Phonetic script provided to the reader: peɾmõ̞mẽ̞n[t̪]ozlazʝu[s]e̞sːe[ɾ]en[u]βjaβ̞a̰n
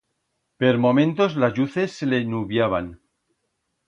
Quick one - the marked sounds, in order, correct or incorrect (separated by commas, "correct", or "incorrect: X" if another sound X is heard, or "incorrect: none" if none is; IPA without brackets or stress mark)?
correct, incorrect: θ, incorrect: l, correct